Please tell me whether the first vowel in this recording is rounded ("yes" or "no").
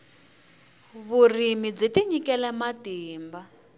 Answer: yes